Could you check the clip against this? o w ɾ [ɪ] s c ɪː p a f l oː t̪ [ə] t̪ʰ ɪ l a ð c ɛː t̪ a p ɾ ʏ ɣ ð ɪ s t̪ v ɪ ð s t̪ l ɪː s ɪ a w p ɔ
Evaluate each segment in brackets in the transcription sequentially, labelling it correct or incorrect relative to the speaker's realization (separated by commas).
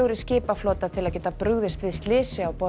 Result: correct, incorrect